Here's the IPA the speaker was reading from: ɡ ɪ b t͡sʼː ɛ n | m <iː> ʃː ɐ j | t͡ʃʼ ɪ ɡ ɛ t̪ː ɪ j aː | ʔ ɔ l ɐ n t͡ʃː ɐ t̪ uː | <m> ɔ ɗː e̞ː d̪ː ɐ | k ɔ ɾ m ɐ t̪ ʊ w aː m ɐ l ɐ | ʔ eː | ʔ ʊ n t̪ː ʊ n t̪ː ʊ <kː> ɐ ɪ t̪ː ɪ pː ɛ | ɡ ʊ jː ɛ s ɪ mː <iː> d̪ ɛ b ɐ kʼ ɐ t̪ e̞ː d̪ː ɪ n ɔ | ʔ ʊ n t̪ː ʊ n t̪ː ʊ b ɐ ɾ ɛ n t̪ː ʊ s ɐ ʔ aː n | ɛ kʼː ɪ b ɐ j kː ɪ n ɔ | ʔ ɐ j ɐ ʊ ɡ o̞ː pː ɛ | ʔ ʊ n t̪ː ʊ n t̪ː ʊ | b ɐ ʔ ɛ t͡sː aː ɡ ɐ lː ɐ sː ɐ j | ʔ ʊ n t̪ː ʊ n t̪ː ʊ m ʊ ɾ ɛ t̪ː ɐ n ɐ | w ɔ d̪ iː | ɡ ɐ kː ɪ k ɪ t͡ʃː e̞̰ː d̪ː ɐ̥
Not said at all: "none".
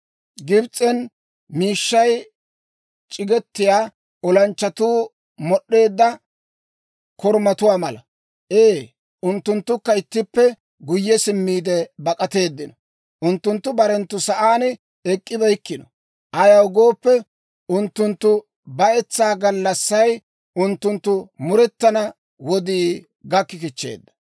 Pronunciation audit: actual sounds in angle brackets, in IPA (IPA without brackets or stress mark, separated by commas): iː, m, kː, iː